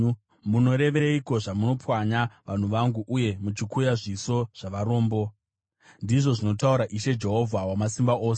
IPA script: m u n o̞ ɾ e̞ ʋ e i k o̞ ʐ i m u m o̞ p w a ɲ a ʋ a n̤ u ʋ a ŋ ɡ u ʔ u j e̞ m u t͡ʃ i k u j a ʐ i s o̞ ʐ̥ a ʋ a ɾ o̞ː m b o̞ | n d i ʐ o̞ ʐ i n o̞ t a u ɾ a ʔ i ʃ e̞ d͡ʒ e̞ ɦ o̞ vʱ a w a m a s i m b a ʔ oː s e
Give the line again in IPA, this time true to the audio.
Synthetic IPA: m u n o̞ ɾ e̞ ʋ e i k o̞ ʐ a m u n o̞ p w a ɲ a ʋ a n̤ u ʋ a ŋ ɡ u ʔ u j e̞ m u t͡ʃ i k u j a ʐ i s o̞ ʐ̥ a ʋ a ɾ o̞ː m b o̞ | n d i ʐ o̞ ʐ i n o̞ t a u ɾ a ʔ i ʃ e̞ d͡ʒ e̞ ɦ o̞ vʱ a w a m a s i m b a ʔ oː s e